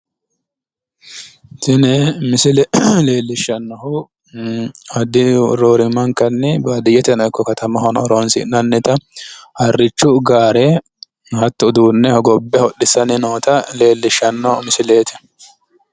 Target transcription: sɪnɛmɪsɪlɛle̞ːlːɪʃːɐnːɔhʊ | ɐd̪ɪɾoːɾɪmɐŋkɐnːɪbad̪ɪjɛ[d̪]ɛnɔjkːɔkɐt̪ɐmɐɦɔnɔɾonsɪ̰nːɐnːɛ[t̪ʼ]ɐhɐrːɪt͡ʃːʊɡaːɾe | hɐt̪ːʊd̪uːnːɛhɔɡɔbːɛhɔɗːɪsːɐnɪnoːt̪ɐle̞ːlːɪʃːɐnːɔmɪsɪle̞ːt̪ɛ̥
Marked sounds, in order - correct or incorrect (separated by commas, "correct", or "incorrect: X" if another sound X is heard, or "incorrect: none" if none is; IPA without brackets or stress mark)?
incorrect: t̪, incorrect: t̪